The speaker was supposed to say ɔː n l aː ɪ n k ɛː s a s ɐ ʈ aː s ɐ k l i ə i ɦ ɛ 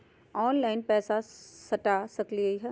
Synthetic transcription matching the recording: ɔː n l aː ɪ n p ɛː s a s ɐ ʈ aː s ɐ k l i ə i ɦ ɛ